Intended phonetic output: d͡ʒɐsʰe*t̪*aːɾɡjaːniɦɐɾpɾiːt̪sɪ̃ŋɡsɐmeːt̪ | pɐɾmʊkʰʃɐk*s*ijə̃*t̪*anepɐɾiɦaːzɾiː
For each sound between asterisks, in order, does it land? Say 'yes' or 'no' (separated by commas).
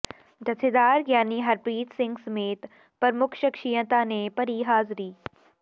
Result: no, no, yes